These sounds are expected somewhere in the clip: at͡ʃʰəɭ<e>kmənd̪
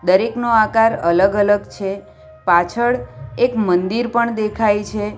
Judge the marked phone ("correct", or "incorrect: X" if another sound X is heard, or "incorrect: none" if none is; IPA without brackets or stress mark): correct